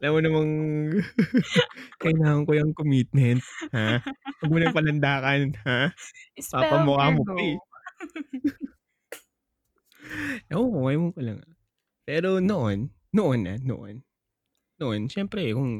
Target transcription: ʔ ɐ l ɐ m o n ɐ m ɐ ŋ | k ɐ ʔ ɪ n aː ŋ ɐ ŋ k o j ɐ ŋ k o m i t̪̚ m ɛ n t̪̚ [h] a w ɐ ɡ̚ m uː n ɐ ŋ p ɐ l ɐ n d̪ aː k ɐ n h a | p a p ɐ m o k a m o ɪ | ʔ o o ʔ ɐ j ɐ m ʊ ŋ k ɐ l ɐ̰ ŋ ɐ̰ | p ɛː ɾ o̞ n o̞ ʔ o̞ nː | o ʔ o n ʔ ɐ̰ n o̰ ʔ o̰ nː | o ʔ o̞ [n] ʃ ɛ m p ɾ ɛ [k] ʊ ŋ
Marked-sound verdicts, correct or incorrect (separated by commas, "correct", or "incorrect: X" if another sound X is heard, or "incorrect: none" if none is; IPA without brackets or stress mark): correct, correct, correct